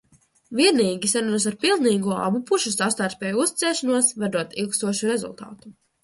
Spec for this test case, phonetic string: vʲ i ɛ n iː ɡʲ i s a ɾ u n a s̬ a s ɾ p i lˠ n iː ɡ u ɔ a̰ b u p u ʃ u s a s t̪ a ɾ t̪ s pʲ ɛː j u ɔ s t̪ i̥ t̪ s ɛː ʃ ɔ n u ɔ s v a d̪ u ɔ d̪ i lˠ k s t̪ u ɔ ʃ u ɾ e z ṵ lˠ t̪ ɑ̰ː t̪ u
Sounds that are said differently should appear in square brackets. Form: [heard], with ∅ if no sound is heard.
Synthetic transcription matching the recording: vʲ i ɛ n iː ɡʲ i s a ɾ u n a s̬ a [∅] ɾ p i lˠ n iː ɡ u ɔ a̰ b u p u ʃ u s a s t̪ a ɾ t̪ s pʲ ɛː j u [u] s t̪ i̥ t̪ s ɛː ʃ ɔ n u ɔ s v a d̪ u ɔ [t̪] i lˠ k s t̪ u ɔ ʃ u ɾ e z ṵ lˠ t̪ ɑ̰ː t̪ u